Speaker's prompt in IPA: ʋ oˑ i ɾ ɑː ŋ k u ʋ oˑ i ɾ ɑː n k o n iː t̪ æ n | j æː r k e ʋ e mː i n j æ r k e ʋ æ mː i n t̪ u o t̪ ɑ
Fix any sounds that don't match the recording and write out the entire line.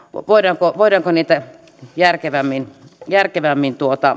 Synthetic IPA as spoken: ʋ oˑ i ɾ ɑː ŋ k o ʋ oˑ i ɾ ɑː ŋ k o n iː t̪ æ | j æ r k e ʋ æ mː i n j æ r k e ʋ æ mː i n t̪ u o t̪ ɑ